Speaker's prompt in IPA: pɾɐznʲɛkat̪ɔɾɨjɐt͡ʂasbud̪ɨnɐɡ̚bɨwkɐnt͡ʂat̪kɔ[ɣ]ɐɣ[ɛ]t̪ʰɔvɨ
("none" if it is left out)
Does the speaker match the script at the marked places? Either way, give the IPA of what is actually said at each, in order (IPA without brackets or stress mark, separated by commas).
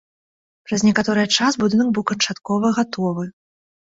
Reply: v, a